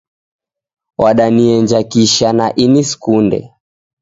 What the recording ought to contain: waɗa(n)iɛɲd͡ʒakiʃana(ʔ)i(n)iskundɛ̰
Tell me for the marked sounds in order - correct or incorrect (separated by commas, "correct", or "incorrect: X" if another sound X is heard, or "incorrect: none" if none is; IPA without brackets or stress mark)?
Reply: correct, correct, correct